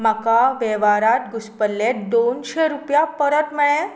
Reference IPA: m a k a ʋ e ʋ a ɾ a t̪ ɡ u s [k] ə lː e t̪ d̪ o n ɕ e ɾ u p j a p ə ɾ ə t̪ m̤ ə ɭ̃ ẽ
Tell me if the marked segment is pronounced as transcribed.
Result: no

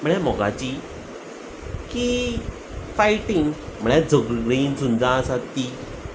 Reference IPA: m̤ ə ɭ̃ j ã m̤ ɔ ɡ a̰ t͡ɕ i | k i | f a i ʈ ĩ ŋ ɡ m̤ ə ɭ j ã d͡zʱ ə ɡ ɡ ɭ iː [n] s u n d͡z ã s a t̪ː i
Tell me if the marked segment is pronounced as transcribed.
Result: yes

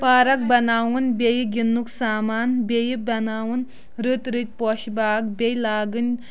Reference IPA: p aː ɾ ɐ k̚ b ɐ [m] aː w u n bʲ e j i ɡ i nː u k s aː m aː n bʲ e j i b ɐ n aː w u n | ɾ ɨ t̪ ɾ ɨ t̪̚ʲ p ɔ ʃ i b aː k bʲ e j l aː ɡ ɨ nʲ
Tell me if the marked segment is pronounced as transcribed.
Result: no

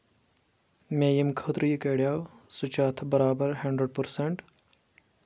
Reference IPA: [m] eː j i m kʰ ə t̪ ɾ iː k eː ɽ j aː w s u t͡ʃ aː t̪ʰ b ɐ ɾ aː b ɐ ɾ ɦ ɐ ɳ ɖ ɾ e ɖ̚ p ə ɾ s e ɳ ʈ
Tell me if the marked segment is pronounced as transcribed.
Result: yes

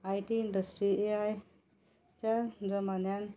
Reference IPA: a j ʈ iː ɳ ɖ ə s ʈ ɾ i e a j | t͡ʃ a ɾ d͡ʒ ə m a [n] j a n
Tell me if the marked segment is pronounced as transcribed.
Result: yes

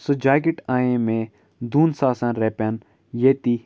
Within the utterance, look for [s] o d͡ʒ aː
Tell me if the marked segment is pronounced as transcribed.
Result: yes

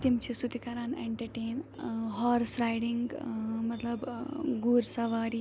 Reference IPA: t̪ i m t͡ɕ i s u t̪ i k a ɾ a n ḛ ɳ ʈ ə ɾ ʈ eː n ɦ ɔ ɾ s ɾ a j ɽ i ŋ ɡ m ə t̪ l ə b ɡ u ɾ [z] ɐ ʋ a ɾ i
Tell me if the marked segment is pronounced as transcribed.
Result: no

